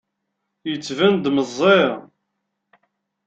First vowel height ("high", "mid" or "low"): mid